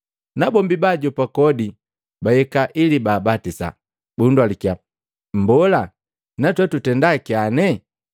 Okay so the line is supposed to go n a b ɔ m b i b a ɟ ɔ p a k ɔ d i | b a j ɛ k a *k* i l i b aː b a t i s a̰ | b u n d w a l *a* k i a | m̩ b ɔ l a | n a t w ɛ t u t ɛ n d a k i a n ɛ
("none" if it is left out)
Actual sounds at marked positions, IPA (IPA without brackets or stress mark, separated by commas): ʔ, i